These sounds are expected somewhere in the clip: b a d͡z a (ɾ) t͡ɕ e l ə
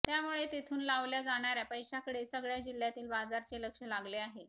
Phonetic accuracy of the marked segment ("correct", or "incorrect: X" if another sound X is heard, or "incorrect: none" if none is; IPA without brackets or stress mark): correct